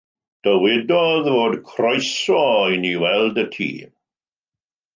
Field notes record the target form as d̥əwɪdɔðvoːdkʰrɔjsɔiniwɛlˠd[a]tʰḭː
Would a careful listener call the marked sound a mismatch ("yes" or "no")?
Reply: yes